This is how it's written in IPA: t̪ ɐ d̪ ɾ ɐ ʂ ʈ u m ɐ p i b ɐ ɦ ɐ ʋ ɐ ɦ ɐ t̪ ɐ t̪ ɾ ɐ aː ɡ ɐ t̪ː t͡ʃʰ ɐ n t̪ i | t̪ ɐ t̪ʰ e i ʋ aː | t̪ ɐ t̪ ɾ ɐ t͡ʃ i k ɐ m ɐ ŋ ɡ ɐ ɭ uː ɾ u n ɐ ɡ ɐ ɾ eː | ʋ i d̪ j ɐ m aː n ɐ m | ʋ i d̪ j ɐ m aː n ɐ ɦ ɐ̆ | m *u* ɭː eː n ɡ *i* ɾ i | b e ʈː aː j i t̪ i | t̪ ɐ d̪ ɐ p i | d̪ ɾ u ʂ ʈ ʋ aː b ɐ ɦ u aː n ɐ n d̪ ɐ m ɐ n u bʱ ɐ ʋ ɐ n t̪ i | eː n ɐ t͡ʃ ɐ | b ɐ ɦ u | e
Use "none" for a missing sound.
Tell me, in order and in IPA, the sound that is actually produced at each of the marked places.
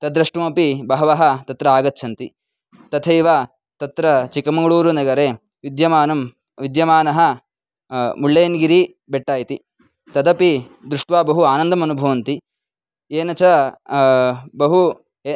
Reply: u, i

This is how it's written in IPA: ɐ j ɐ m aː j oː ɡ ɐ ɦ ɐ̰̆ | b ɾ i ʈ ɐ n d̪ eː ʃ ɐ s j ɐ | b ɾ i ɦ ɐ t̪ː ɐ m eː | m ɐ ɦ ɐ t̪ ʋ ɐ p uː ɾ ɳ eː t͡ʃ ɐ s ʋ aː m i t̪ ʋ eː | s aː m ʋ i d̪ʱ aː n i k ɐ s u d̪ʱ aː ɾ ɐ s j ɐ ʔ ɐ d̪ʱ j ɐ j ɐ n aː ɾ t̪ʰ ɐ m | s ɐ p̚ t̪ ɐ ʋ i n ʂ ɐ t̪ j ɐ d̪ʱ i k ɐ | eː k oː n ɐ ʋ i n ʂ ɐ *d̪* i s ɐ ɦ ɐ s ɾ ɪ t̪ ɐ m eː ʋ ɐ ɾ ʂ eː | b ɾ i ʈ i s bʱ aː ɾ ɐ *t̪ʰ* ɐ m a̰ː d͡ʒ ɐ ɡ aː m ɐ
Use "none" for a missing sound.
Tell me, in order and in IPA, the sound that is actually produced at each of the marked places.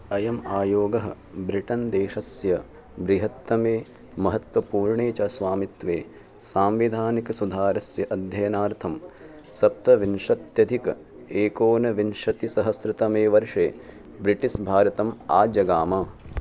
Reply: t̪, t̪

